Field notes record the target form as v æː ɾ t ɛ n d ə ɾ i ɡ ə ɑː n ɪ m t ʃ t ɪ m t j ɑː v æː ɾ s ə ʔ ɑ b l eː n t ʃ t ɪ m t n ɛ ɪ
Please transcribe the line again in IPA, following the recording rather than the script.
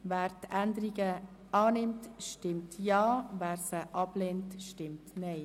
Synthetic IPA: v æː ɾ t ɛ n d ə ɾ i ɡ ə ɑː n ɪ m t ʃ t ɪ m t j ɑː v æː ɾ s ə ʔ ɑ b l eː n t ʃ t ɪ m t n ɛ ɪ